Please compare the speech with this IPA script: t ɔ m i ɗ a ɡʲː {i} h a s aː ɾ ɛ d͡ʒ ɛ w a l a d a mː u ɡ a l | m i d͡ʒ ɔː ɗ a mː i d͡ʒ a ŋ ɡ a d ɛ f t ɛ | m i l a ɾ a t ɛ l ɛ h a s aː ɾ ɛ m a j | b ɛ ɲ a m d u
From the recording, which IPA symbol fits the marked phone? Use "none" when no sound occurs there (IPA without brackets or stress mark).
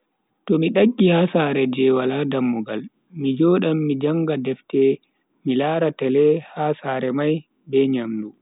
i